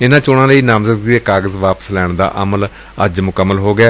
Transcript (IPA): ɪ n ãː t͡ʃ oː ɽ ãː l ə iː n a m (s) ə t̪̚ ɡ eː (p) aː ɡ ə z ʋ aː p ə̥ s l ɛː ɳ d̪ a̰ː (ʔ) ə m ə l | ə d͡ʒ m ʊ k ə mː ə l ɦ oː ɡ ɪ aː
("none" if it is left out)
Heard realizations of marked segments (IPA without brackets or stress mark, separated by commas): z, k, ʔ